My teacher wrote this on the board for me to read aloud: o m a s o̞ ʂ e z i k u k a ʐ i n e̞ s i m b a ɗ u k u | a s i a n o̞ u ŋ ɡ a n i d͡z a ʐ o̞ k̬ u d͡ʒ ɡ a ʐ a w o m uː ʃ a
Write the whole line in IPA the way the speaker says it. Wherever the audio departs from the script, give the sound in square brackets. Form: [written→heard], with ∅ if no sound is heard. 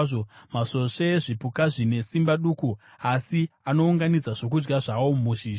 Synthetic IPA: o m a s o̞ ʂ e [z→ʐ] i [k→p] u k a ʐ i n e̞ s i m b a ɗ u k u | a s i a n o̞ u ŋ ɡ a n i d͡z a ʐ o̞ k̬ u d͡ʒ ɡ a ʐ a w o m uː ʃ [a→i]